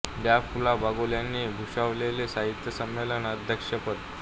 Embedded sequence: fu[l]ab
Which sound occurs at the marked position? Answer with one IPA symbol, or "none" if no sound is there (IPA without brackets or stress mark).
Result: l